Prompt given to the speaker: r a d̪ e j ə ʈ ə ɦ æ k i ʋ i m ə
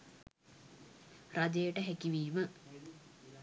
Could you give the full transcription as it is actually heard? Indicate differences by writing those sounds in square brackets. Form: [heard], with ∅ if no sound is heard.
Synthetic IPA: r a d̪ e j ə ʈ ə ɦ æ k i ʋ [iː] m ə